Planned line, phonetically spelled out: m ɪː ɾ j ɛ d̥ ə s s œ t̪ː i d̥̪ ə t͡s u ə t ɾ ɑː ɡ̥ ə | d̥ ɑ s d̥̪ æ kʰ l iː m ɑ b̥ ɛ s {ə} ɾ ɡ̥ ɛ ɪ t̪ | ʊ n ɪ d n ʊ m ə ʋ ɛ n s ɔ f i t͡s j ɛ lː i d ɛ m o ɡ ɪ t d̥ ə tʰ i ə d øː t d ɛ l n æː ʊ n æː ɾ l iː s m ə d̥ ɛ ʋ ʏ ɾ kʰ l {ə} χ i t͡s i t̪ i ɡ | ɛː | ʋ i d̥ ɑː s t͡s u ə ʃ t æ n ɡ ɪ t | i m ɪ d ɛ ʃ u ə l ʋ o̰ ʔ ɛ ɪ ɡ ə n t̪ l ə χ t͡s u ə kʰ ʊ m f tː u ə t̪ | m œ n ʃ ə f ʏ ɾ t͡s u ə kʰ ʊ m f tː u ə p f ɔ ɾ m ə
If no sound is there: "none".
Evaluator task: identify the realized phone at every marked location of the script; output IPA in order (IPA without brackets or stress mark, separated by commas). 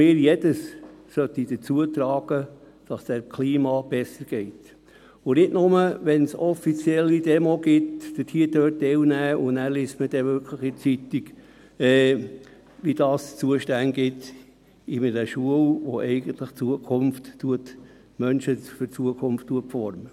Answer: ə, ə